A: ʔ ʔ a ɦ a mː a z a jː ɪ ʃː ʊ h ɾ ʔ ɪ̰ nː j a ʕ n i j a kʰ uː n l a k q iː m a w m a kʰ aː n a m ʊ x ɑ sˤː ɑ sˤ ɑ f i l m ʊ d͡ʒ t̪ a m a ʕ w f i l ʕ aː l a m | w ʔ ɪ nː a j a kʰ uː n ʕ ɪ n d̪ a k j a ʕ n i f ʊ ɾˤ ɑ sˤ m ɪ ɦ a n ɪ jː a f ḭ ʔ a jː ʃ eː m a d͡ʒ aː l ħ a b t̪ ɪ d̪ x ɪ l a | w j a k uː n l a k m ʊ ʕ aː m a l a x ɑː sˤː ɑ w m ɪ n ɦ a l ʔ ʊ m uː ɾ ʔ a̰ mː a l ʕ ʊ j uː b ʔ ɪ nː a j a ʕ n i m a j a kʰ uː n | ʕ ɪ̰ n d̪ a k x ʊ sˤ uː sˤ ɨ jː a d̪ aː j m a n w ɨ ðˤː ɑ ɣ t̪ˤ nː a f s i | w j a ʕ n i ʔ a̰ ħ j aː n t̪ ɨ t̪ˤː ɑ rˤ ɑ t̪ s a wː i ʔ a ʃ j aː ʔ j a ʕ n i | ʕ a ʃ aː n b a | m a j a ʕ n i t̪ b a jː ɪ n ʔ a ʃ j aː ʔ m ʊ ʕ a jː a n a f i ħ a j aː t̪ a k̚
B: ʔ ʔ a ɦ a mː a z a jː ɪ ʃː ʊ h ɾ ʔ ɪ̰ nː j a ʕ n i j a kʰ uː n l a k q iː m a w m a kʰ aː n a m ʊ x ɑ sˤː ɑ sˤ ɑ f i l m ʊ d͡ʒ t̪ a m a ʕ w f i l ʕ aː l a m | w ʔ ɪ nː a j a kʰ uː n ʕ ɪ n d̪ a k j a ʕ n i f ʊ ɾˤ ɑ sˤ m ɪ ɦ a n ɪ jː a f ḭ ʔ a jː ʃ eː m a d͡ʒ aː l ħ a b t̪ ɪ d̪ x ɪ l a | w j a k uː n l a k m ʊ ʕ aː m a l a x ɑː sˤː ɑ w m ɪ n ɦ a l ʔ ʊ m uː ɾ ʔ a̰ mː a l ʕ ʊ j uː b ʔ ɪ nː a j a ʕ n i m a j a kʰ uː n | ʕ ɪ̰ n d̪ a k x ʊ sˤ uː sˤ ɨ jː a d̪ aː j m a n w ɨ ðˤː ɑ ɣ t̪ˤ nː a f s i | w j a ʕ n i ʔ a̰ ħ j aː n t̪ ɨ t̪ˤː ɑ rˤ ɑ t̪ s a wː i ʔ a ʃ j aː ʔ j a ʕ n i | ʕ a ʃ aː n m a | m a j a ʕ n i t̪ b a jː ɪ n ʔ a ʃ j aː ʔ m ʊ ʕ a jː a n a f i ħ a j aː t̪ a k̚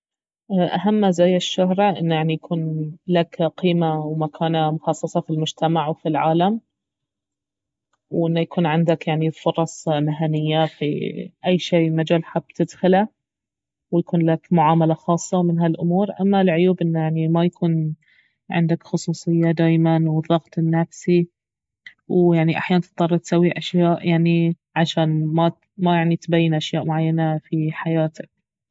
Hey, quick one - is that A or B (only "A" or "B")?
B